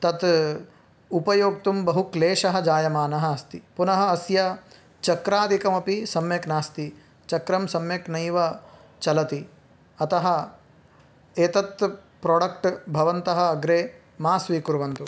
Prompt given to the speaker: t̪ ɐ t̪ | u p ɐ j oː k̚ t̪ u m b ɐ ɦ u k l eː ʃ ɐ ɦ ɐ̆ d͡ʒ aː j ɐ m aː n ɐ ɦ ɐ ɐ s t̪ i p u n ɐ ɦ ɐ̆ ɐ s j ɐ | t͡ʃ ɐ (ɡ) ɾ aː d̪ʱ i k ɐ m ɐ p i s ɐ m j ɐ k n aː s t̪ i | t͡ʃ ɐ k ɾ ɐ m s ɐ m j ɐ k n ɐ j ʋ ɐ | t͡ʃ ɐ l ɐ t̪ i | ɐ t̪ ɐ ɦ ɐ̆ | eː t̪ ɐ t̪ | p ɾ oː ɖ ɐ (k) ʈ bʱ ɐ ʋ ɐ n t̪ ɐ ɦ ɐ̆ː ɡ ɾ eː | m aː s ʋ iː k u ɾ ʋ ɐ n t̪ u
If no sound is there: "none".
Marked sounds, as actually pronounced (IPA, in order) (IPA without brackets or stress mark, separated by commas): k, k